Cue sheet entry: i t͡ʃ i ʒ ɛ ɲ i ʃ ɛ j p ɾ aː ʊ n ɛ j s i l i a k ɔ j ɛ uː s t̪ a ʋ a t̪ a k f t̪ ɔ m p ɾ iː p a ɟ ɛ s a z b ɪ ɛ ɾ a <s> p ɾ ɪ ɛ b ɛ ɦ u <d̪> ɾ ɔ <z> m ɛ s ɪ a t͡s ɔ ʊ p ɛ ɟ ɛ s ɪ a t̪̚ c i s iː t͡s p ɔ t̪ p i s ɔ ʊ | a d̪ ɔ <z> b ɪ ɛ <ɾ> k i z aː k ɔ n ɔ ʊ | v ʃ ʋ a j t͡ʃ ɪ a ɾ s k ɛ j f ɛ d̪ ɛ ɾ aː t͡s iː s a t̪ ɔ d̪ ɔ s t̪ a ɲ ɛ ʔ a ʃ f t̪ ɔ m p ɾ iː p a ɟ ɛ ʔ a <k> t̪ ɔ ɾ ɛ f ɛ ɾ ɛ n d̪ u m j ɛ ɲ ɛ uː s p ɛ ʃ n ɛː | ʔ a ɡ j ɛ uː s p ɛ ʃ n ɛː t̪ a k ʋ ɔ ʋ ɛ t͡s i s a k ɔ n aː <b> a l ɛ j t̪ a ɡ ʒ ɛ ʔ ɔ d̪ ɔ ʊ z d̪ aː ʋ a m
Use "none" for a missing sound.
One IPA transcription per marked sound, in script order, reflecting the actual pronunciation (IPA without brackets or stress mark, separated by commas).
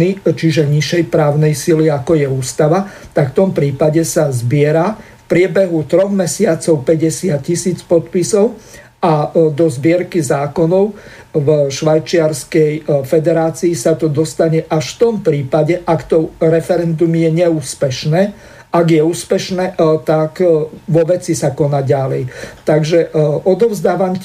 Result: f, t̪, ɣ, z, ɾ, k, ɟ